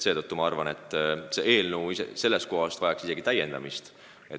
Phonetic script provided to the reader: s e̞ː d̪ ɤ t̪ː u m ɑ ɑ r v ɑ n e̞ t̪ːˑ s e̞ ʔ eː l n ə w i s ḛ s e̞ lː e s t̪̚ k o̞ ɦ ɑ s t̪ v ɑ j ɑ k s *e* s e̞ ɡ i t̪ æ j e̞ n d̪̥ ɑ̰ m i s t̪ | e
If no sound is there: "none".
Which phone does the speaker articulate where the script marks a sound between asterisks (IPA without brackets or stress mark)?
i